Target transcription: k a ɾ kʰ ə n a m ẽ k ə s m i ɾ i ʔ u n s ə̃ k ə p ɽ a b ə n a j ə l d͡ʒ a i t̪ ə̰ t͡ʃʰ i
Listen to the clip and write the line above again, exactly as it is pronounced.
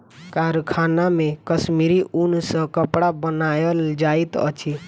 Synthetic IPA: k a ɾ kʰ a n a m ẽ k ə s m i ɾ i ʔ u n s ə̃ k ə p ɽ a b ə n a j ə l d͡ʒ a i t̪ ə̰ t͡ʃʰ i